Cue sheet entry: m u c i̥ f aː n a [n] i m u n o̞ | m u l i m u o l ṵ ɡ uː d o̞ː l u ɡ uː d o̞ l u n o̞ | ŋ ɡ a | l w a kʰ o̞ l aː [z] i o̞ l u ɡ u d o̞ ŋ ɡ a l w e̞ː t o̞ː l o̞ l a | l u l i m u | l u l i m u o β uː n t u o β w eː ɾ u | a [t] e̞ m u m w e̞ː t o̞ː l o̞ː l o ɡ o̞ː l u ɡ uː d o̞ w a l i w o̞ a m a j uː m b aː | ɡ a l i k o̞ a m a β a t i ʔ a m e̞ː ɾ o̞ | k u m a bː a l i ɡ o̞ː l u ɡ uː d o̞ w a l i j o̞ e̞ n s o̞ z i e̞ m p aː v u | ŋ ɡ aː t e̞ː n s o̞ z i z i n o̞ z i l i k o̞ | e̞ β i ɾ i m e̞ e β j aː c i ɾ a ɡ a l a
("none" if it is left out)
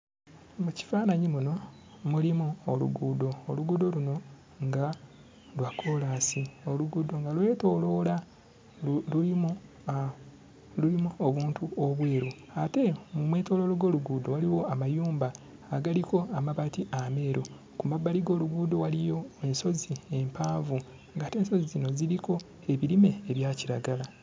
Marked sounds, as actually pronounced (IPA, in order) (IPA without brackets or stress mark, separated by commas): ɲ, s, t